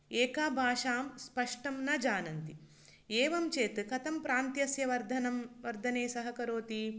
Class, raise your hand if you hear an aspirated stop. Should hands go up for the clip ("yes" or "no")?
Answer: no